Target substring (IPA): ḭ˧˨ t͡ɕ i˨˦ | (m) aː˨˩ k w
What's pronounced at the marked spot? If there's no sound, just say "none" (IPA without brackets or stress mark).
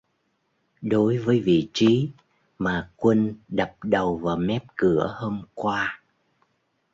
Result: m